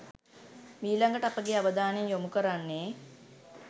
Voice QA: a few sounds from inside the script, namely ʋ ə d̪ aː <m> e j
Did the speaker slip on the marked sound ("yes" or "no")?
yes